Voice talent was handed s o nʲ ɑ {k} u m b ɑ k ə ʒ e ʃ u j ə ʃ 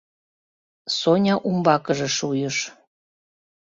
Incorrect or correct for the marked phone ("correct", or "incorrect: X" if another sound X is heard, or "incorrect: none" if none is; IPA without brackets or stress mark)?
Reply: incorrect: ʔ